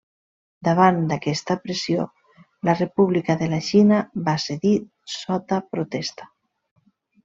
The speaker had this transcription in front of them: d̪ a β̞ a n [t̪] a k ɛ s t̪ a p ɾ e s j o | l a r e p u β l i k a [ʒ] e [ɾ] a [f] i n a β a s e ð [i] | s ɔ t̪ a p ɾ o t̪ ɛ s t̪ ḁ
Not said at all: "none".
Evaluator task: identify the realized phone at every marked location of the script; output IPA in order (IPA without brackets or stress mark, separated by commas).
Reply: d̪, ð, l, ʃ, i